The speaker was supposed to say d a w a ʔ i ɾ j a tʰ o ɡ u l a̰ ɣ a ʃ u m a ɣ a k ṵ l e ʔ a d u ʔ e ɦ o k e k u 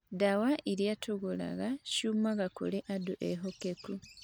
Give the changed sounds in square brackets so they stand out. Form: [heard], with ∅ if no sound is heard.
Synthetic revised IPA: d a w a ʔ i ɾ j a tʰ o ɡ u l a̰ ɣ a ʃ u m a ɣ a k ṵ l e ʔ a d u ʔ e ɦ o k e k u